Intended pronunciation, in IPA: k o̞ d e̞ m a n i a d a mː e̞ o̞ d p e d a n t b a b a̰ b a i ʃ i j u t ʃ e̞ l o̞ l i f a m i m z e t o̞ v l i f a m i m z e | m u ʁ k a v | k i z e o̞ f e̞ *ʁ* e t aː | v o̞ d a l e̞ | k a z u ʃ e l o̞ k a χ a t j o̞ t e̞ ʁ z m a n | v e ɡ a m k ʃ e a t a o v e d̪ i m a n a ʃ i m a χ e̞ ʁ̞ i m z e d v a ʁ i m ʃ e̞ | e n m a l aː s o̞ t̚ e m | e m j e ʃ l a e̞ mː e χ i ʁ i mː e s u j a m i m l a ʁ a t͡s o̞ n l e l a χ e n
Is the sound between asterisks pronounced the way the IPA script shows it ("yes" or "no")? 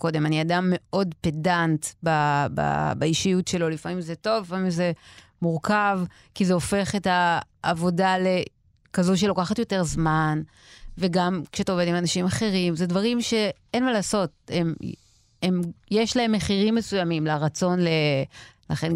no